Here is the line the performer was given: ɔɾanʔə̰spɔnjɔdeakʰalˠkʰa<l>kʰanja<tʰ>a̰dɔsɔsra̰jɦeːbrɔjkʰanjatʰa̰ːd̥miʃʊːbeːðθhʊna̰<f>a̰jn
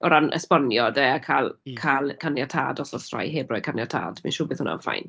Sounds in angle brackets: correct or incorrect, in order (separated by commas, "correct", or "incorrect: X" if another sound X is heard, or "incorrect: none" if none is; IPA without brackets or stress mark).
correct, correct, correct